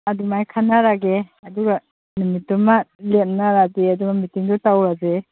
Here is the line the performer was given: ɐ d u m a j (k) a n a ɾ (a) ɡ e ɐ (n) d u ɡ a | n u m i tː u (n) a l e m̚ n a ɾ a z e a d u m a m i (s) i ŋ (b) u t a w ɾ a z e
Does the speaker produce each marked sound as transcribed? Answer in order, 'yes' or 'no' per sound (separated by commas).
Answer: no, yes, no, no, no, no